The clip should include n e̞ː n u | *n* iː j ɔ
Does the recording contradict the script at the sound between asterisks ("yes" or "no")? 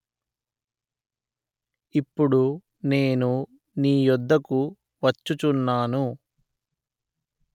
no